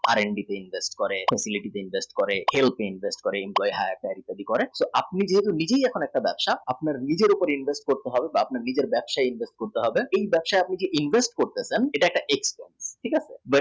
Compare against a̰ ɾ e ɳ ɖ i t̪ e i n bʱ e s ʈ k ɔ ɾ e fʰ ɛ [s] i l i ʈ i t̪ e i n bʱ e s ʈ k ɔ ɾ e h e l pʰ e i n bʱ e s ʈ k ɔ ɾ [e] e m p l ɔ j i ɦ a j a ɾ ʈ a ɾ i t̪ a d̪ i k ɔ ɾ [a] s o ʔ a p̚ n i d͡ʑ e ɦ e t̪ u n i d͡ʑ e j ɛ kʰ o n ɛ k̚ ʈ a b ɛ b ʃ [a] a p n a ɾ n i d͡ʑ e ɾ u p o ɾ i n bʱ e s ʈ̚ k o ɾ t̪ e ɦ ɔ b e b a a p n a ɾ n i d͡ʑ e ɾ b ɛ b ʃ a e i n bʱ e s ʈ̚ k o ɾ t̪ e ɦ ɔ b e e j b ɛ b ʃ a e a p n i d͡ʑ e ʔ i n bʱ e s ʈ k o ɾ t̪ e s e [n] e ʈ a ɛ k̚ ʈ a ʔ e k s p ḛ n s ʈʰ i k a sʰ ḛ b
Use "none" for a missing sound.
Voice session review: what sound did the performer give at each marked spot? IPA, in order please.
s, e, e, a, n

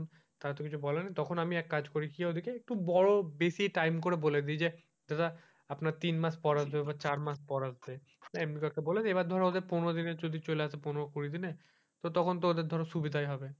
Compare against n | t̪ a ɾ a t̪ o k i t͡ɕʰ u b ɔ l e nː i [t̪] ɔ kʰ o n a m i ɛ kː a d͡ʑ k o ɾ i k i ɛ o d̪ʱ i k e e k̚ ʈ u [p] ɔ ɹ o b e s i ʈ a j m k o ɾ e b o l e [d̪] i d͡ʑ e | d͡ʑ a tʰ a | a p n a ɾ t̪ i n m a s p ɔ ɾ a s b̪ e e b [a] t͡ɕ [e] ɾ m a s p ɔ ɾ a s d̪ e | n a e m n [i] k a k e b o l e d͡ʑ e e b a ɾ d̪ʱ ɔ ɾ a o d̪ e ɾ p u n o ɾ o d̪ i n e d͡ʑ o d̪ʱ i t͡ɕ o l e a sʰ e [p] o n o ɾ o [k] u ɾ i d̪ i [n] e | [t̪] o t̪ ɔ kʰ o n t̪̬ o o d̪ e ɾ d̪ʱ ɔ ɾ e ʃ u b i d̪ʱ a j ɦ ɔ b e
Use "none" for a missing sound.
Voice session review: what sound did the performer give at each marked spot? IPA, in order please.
t̪, b, d̪, a, a, i, p, k, n, t̪

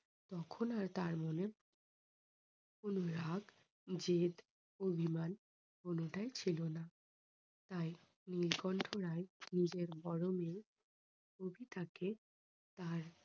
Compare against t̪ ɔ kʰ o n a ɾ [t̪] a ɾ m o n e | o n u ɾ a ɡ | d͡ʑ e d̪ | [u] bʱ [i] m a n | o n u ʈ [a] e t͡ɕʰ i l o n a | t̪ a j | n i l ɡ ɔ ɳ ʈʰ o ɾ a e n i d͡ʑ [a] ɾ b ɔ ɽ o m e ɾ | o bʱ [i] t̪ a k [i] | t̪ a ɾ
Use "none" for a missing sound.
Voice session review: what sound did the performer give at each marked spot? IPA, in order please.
t̪, o, i, a, e, i, e

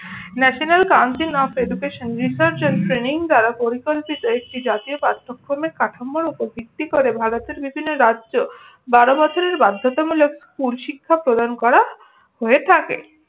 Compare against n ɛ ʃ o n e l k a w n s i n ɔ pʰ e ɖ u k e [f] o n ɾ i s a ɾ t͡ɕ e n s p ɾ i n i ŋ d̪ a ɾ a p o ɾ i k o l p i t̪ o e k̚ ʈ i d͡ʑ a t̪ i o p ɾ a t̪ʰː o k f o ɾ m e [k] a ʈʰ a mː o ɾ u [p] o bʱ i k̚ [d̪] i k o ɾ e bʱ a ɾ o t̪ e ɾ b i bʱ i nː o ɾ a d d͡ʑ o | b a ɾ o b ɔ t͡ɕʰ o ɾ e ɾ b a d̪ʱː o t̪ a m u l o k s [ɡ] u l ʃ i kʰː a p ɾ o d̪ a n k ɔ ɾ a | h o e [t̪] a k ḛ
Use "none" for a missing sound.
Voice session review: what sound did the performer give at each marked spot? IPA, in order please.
ʃ, k, p, t̪, k, t̪ʰ

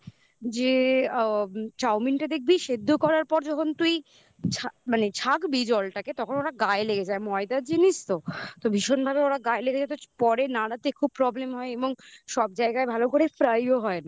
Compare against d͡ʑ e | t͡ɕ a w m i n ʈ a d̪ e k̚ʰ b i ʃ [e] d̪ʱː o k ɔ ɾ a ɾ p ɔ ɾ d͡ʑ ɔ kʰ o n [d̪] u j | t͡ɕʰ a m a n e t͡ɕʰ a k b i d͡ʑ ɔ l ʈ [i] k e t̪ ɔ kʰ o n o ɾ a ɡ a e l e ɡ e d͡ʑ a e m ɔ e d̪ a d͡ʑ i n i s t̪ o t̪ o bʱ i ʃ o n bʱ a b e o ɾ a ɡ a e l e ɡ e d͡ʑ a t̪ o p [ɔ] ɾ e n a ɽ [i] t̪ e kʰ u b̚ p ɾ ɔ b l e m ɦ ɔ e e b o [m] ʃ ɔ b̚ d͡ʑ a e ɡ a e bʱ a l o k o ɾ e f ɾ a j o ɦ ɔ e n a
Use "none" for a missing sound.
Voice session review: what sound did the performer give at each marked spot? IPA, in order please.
e, t̪, a, ɔ, a, ŋ

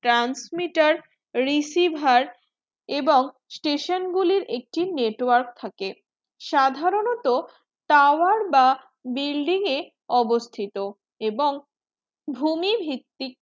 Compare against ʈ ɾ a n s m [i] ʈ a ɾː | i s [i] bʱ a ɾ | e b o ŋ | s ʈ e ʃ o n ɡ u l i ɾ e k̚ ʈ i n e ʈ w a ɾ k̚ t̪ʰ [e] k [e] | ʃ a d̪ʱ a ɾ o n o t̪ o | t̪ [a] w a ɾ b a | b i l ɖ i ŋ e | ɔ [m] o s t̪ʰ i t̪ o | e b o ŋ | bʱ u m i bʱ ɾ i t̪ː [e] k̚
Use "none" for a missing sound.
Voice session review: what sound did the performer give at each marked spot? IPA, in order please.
i, i, a, e, a, b, i

